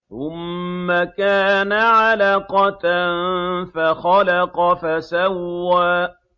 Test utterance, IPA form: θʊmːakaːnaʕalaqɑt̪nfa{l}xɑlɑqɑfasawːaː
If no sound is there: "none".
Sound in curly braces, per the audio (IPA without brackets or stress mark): none